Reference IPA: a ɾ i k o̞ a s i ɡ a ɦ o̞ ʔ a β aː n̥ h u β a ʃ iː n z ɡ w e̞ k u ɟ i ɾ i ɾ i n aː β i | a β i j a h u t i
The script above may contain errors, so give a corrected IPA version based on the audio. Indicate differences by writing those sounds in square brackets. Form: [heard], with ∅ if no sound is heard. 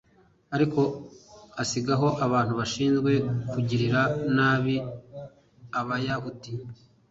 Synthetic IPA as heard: a ɾ i k o̞ a s i ɡ a ɦ o̞ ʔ a β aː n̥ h u β a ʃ iː n z ɡ w e̞ k u ɟ i ɾ i ɾ [a] n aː β i | a β [a] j a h u t i